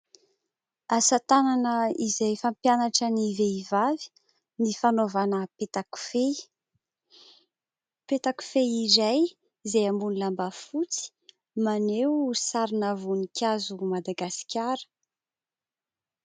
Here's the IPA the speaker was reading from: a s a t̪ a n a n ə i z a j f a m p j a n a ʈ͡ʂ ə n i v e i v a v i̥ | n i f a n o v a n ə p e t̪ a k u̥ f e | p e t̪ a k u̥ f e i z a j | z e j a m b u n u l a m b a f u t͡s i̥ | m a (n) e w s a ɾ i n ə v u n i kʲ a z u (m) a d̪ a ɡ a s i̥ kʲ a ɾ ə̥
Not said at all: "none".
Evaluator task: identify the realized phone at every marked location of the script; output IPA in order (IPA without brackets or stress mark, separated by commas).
n, m